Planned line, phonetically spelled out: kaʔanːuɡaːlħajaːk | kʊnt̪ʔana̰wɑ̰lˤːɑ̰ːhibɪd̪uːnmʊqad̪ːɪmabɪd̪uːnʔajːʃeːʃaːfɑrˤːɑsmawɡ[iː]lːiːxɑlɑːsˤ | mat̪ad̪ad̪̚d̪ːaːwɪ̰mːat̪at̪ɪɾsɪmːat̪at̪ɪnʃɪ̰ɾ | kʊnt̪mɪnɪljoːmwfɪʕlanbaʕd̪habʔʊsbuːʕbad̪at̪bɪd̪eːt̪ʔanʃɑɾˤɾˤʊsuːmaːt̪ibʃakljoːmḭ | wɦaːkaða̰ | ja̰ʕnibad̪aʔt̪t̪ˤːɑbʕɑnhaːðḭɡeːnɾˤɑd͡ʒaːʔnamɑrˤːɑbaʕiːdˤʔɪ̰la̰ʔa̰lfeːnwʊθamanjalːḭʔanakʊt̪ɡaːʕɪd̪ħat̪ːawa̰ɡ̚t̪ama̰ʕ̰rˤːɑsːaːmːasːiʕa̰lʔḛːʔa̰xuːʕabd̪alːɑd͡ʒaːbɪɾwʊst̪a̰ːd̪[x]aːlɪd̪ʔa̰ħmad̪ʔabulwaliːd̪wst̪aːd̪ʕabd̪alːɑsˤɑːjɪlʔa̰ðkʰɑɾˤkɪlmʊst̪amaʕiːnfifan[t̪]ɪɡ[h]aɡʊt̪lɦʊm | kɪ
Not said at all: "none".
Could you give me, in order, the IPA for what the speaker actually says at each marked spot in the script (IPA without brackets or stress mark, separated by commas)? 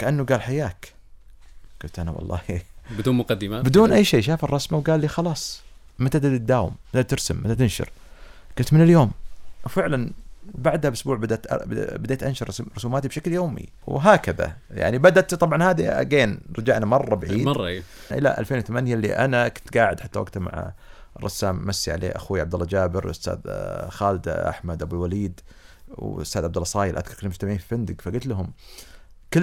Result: aː, x, d̪, f